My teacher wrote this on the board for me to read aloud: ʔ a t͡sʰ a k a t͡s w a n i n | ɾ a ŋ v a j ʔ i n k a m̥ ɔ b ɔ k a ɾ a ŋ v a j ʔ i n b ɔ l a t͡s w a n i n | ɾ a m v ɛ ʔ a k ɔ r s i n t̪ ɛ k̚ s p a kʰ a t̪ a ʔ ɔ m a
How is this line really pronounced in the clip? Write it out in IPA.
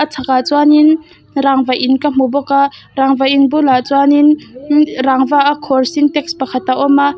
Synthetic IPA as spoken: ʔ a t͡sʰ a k a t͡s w a n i n | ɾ a ŋ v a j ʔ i n k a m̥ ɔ b ɔ k a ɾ a ŋ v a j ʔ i n b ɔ l a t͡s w a n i n | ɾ a ŋ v a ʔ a kʰ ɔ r s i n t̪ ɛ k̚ s p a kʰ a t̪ a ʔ ɔ m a

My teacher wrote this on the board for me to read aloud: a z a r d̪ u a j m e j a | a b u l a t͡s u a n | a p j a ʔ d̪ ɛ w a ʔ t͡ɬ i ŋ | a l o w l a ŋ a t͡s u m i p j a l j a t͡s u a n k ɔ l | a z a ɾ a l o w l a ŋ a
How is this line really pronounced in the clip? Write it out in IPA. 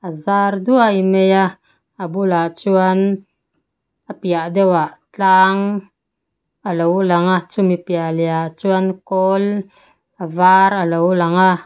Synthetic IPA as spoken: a z a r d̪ u a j m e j a | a b u l a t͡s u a n | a p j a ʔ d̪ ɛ w a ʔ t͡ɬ a ŋ | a l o w l a ŋ a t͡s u m i p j a l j a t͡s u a n k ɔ l | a v a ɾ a l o w l a ŋ a

